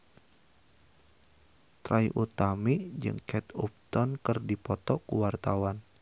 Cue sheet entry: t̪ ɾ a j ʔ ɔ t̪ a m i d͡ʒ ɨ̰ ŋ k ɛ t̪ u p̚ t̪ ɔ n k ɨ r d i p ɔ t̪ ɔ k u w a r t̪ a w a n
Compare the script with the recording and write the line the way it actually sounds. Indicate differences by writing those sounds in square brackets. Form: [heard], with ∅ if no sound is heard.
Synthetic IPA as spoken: t̪ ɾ a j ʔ [u] t̪ a m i d͡ʒ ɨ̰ ŋ k ɛ t̪ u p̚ t̪ ɔ n k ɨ r d i p ɔ t̪ ɔ k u w a r t̪ a w a n

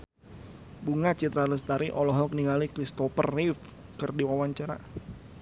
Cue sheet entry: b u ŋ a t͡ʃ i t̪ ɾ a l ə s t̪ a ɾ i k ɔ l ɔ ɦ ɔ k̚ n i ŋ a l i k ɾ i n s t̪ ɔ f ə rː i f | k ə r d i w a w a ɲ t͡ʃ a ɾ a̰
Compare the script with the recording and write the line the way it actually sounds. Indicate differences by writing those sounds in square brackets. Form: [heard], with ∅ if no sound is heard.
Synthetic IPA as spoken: b u ŋ a t͡ʃ i t̪ ɾ a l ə s t̪ a ɾ i [ʔ] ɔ l ɔ ɦ ɔ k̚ n i ŋ a l i k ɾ i [∅] s t̪ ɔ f ə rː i f | k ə r d i w a w a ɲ t͡ʃ a ɾ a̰

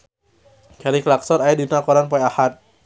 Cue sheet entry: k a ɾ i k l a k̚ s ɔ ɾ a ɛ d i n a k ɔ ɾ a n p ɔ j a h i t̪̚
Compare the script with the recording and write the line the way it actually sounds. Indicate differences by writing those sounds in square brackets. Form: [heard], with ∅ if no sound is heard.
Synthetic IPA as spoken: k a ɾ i k l a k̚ s ɔ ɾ a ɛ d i n a k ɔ ɾ a n p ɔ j a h [a] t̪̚

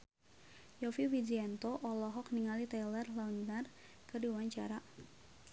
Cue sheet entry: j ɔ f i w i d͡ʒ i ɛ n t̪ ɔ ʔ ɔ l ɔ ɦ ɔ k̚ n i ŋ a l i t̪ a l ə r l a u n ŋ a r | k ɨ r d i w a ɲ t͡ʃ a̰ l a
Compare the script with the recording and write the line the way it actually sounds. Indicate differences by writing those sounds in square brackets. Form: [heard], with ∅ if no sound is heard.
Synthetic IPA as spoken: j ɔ f i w i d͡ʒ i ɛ n t̪ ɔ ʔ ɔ l ɔ ɦ ɔ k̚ n i ŋ a l i t̪ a l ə r l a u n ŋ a r | k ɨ r d i w a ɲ t͡ʃ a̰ [ɾ] a

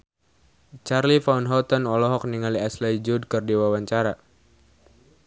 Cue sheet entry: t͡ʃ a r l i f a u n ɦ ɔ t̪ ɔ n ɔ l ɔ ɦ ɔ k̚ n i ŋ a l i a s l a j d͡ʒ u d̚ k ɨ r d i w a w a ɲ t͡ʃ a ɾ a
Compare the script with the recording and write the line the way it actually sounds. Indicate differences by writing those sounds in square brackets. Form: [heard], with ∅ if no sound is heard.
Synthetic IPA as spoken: t͡ʃ a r l i f a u n ɦ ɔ t̪ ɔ n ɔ l ɔ ɦ ɔ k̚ n i ŋ a l i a s l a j d͡ʒ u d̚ k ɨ r d i w a w a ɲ t͡ʃ a ɾ a

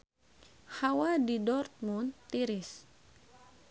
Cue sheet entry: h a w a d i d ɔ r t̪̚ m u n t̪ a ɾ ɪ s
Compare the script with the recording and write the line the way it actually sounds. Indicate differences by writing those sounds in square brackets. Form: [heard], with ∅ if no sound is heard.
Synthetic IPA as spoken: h a w a d i d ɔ r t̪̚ m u n t̪ [i] ɾ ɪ s

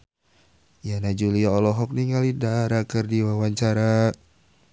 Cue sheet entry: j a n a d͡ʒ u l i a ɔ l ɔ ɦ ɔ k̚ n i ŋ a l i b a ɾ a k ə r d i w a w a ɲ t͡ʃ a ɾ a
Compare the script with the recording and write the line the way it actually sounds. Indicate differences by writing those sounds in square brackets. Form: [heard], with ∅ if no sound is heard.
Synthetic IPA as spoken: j a n a d͡ʒ u l i a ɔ l ɔ ɦ ɔ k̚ n i ŋ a l i [d] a ɾ a k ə r d i w a w a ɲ t͡ʃ a ɾ a

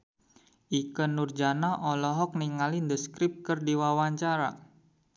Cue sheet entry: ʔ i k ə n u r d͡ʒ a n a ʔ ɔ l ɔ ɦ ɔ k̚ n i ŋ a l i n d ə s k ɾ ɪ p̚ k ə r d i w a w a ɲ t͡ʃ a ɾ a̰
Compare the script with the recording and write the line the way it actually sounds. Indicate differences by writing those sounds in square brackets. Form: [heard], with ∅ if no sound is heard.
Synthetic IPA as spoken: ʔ i k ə n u r d͡ʒ a n a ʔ ɔ l ɔ ɦ ɔ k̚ n i ŋ a l i n d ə s k ɾ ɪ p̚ k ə r d i w a w a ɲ t͡ʃ a ɾ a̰

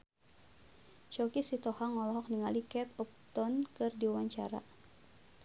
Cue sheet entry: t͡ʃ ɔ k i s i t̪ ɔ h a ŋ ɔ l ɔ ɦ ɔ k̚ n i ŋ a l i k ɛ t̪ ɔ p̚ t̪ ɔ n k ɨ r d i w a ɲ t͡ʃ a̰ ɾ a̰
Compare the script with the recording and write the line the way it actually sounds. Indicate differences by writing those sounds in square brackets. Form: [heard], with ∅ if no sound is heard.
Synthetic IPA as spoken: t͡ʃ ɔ k i s i t̪ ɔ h a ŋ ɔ l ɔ ɦ ɔ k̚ n i ŋ a l i k ɛ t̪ ɔ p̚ t̪ ɔ n k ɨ r d i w a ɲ t͡ʃ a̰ ɾ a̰

